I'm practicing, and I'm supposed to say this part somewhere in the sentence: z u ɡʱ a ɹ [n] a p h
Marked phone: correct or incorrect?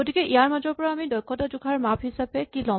incorrect